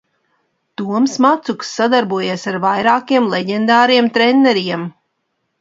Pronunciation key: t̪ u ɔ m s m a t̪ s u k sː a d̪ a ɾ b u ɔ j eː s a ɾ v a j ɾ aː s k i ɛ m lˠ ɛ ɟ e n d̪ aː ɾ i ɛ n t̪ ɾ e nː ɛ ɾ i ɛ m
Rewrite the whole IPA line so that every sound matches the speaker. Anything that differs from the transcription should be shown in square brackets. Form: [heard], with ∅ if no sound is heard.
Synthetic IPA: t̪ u ɔ m s m a t̪ s u k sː a d̪ a ɾ b u ɔ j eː s a ɾ v a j ɾ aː [∅] k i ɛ m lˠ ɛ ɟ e n d̪ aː ɾ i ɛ [m] t̪ ɾ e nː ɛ ɾ i ɛ m